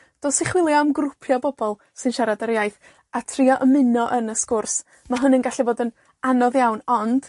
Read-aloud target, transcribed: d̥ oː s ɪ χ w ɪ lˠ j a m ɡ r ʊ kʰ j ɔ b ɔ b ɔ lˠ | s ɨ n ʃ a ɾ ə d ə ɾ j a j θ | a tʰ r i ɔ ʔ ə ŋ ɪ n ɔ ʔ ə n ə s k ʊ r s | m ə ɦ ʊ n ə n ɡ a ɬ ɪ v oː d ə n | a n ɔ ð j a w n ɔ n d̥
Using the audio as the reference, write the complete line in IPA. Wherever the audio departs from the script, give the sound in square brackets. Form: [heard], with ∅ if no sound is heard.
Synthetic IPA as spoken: d̥ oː s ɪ χ w ɪ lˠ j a m ɡ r ʊ [pʰ] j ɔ b ɔ b ɔ lˠ | s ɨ n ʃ a ɾ [a] d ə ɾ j a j θ | a tʰ r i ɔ ʔ ə [m] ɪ n ɔ ʔ ə n ə s k ʊ r s | m [a] ɦ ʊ n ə n ɡ a ɬ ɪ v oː d ə n | a n ɔ ð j a w n ɔ n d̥